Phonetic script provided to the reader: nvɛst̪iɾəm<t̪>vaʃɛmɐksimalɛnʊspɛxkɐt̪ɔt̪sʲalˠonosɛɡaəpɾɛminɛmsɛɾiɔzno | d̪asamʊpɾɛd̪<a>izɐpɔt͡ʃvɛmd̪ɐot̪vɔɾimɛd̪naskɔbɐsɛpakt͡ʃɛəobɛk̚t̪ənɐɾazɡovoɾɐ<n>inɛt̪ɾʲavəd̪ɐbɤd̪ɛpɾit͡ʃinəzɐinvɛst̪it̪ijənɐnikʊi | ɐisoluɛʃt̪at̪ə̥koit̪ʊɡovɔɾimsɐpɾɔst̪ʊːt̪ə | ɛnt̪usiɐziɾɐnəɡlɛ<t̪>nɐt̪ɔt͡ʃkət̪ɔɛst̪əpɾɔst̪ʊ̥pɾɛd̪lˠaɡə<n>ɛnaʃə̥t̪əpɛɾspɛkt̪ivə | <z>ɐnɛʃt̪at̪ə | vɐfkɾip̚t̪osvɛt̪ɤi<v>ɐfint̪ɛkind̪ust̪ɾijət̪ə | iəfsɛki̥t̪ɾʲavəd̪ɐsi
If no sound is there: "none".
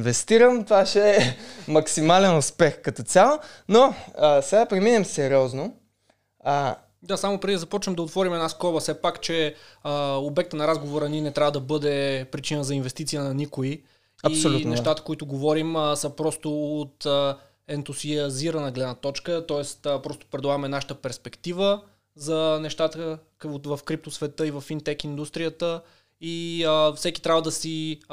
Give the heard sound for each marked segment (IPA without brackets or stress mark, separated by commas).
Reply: t̪, i, n, d̪, m, z, v